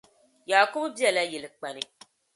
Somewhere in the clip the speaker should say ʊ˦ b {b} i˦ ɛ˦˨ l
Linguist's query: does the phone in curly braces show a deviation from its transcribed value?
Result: no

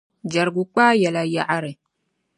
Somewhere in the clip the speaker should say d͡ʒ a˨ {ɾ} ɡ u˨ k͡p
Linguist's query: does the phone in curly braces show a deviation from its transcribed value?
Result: no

